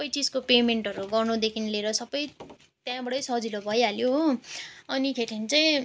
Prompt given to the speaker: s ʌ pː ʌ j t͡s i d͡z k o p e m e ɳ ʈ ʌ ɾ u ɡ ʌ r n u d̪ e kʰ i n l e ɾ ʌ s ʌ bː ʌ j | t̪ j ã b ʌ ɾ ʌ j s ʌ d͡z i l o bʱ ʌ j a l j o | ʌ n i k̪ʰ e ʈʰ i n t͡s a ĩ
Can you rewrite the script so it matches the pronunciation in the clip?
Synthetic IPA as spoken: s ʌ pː ʌ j t͡s i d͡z k o p e m e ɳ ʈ ʌ ɾ u ɡ ʌ r n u d̪ e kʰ i n l e ɾ ʌ s ʌ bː ʌ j | t̪ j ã b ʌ ɽ ʌ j s ʌ d͡z i l o bʱ ʌ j a l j o | ʌ n i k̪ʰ e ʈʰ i n t͡s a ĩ